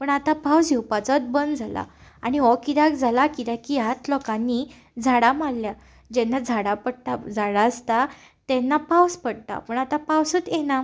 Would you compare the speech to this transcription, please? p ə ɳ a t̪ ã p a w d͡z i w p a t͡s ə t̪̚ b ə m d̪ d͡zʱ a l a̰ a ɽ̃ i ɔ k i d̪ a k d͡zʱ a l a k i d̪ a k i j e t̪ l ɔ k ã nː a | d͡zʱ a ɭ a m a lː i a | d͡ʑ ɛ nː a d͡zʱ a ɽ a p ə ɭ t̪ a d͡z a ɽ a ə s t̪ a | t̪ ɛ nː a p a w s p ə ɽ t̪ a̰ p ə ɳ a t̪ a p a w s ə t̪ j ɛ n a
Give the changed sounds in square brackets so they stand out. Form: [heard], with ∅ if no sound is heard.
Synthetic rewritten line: p ə ɳ a t̪ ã p a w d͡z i w p a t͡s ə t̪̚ b ə [n] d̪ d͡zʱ a l a̰ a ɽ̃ i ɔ k i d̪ a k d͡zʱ a l a k i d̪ a k i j [a] t̪ l ɔ k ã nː [i] | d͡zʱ a [ɽ] a m a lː [j] a | d͡ʑ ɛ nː a d͡zʱ a ɽ a p ə [ɽ] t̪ a d͡z a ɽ a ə s t̪ a | t̪ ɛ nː a p a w s p ə ɽ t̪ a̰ p ə ɳ a t̪ a p a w s ə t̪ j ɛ n a